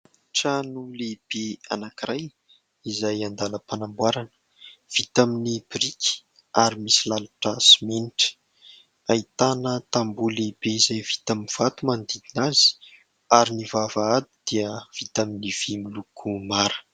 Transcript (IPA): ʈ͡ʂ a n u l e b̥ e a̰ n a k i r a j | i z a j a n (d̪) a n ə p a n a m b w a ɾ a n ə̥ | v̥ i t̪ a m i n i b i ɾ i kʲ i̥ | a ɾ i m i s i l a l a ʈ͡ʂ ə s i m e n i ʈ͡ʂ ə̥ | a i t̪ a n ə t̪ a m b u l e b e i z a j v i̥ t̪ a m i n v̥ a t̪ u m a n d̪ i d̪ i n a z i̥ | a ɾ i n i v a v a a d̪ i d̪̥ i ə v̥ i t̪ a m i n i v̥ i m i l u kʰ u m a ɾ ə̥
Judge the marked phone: correct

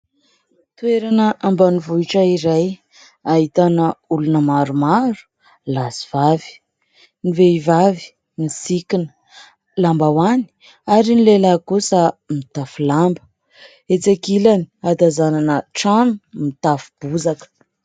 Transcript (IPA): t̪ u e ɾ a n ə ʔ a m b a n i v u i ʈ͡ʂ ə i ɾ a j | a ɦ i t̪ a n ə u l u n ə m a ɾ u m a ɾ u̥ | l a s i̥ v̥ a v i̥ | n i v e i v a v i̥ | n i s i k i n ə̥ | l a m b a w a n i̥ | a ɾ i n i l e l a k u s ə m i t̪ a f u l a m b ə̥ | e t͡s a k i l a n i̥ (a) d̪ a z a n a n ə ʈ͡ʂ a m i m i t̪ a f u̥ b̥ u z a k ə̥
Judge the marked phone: correct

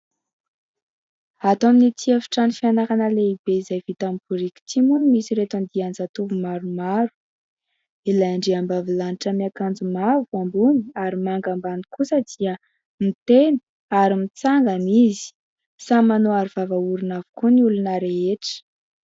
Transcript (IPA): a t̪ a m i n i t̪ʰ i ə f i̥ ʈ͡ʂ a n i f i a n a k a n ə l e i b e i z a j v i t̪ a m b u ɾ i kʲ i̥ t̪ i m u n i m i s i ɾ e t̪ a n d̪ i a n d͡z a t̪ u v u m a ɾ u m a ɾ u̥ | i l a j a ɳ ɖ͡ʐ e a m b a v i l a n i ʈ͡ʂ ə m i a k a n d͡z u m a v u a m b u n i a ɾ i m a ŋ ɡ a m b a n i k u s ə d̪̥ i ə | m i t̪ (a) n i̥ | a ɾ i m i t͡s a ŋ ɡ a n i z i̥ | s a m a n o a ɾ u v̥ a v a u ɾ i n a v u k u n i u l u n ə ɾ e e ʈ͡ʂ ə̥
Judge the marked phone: incorrect: e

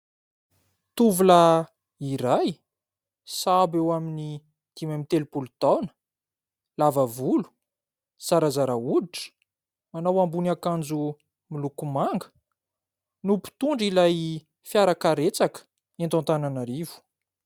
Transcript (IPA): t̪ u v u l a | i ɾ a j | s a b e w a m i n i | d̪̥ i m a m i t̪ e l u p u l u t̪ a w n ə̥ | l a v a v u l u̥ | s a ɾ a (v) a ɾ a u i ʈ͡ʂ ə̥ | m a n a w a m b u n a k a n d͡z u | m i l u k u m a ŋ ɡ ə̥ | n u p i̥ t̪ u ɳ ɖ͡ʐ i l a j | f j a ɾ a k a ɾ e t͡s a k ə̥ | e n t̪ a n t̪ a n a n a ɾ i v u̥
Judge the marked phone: incorrect: z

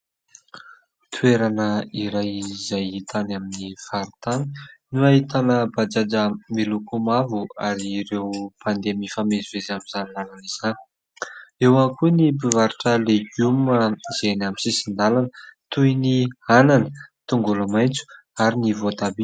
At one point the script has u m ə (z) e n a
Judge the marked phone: correct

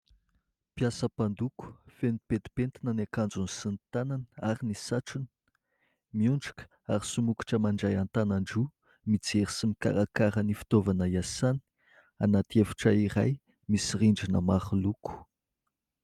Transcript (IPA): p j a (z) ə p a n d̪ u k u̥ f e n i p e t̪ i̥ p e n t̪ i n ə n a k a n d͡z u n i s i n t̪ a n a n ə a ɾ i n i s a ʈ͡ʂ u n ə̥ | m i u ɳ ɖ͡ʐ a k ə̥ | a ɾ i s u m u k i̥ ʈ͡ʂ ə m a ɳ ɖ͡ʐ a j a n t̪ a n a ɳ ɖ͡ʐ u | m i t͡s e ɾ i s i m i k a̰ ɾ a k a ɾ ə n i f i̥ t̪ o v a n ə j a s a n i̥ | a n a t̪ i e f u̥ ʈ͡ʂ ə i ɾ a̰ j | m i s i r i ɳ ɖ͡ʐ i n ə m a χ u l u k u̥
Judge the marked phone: incorrect: s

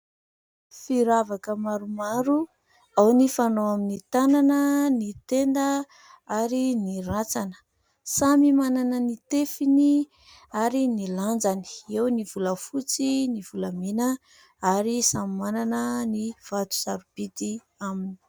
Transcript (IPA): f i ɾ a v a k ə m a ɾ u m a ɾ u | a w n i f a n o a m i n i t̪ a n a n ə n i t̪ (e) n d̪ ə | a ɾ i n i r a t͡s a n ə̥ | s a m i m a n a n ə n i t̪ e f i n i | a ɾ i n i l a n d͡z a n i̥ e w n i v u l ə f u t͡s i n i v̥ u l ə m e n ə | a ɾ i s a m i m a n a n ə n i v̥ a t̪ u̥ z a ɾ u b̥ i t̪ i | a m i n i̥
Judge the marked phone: correct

